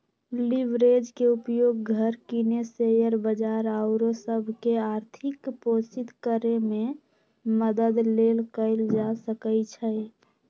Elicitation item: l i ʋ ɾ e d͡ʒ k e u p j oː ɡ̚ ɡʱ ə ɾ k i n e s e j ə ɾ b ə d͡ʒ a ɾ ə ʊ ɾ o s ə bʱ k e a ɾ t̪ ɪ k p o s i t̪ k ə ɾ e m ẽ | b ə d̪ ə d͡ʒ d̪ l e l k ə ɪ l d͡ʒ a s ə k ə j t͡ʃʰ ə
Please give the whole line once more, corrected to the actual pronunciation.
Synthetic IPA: l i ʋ ɾ e d͡ʒ k e u p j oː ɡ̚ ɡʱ ə ɾ k i n e s e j ə ɾ b ə d͡ʒ a ɾ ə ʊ ɾ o s ə bʱ k e a ɾ t̪ʰ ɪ k p o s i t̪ k ə ɾ e m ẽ | m ə d̪ ə d̪ l e l k ə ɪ l d͡ʒ a s ə k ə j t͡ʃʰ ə

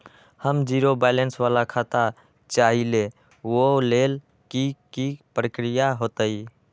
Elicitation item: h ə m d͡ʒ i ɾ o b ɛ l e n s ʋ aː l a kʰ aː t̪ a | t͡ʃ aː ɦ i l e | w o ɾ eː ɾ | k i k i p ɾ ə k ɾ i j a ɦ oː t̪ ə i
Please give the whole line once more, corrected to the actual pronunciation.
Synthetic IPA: h ə m d͡ʒ i ɾ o b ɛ l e n s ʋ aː l a kʰ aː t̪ a | t͡ʃ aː ɦ i l e | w o l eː l | k i k i p ɾ ə k ɾ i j a ɦ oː t̪ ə i

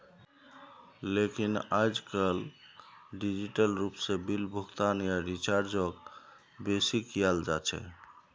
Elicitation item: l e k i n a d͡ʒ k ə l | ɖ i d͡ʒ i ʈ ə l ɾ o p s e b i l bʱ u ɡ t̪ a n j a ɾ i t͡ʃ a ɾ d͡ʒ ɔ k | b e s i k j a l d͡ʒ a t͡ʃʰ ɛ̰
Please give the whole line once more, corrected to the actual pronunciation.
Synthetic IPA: l e k i n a d͡ʒ k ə l | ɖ i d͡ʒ i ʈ ə l ɾ u p s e b i l bʱ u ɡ t̪ a n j a ɾ i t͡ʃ a ɾ d͡ʒ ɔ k | b e s i k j a l d͡ʒ a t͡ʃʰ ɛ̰

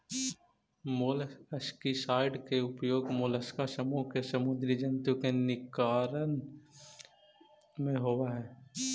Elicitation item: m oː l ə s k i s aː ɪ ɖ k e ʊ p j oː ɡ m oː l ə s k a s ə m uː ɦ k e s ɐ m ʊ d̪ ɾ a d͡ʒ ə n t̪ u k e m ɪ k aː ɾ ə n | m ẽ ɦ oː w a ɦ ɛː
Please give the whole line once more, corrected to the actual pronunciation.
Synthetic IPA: m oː l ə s k i s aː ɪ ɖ k e ʊ p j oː ɡ m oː l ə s k a s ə m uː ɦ k e s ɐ m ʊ d̪ ɾ i d͡ʒ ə n t̪ u k e n ɪ k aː ɾ ə n | m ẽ ɦ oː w a ɦ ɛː

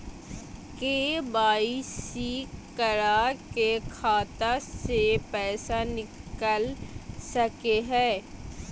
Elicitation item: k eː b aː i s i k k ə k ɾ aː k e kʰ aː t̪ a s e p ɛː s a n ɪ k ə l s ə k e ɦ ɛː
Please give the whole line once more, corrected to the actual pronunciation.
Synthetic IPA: k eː b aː i s i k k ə ɾ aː k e kʰ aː t̪ a s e p ɛː s a n ɪ k ə l s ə k e ɦ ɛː

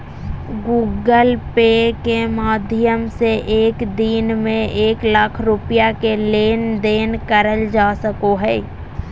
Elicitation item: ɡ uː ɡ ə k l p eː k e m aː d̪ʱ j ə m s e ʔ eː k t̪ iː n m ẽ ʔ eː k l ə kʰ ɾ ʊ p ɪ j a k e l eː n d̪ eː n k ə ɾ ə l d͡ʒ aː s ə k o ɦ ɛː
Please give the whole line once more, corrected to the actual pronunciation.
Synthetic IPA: ɡ uː ɡ ə l p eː k e m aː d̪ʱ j ə m s e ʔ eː k d̪ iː n m ẽ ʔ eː k l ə kʰ ɾ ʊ p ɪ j a k e l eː n d̪ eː n k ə ɾ ə l d͡ʒ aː s ə k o ɦ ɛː

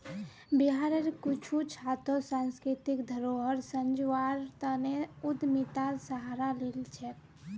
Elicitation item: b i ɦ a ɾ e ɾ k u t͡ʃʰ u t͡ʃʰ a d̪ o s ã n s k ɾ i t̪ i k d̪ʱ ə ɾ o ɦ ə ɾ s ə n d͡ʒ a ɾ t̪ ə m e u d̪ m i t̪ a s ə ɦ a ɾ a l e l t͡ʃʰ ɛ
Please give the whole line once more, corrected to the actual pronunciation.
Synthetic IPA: b i ɦ a ɾ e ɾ k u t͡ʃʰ u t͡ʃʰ a t̪ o s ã n s k ɾ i t̪ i k d̪ʱ ə ɾ o ɦ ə ɾ s ə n d͡ʒ a ɾ t̪ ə n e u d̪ m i t̪ a s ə ɦ a ɾ a l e l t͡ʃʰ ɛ

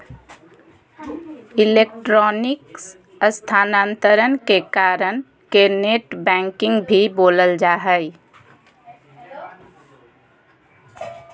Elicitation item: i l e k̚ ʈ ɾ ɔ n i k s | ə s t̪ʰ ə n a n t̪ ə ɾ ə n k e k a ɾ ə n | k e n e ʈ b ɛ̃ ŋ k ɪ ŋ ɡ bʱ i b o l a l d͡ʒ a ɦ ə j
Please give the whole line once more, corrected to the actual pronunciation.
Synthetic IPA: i l e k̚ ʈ ɾ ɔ n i k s | ə s t̪ʰ a n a n t̪ ə ɾ ə n k e k a ɾ ə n | k e n e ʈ b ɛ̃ ŋ k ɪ ŋ ɡ bʱ i b o l ə l d͡ʒ a ɦ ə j

